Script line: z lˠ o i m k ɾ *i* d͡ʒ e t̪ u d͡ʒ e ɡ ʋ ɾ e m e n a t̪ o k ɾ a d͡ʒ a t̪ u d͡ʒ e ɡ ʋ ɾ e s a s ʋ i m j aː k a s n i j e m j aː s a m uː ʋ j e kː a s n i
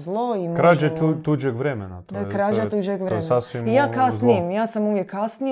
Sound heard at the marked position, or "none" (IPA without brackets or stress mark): a